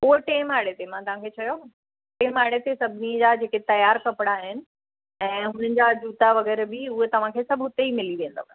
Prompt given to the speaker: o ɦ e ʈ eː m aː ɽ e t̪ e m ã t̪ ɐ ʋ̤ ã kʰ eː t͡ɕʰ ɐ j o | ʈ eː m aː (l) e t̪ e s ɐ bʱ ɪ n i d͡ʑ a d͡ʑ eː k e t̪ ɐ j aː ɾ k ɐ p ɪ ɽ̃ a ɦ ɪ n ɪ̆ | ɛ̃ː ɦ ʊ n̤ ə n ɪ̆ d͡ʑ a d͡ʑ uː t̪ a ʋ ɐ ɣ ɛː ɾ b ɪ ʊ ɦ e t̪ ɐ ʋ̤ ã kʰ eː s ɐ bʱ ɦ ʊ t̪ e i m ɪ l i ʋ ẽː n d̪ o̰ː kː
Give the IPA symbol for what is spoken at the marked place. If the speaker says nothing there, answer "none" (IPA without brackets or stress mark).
ɽ